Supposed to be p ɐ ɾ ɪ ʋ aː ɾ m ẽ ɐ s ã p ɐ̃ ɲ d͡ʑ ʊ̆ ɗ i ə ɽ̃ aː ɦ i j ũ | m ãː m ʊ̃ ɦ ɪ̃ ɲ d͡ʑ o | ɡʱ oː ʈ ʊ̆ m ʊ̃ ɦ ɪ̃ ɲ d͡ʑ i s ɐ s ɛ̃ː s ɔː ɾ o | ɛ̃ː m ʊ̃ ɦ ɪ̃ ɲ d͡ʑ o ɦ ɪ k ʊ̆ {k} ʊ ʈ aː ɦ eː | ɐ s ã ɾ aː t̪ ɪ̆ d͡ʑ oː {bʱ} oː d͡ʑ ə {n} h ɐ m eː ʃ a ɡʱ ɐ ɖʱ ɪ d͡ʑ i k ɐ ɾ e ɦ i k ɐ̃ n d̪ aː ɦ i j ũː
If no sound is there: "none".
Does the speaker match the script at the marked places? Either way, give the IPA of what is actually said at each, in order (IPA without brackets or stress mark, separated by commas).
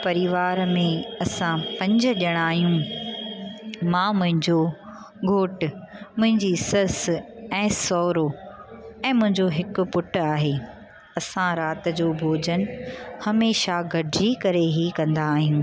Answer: p, bʱ, n